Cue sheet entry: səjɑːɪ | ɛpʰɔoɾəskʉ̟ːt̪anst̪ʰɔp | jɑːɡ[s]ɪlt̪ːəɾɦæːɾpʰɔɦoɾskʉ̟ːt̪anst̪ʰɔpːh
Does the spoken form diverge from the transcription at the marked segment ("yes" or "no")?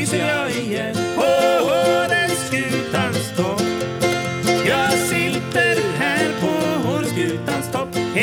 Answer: no